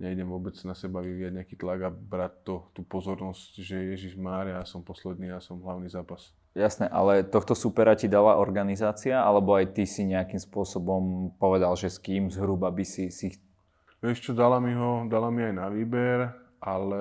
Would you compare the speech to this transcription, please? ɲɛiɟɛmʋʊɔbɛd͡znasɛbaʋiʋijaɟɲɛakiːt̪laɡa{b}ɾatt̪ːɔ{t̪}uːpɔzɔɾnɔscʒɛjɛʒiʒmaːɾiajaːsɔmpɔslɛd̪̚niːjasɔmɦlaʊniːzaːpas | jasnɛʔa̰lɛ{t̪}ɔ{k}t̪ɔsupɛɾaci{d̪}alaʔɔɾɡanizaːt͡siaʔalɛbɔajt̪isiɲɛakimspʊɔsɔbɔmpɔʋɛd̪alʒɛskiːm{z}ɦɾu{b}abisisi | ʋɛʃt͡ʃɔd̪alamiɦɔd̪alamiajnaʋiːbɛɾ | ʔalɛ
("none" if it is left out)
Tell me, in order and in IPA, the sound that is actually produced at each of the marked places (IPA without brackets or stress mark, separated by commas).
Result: b, t̪, t̪, x, d̪, z, b